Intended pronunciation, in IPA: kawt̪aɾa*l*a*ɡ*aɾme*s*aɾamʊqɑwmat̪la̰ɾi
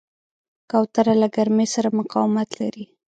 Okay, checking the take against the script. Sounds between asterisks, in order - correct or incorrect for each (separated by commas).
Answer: correct, correct, correct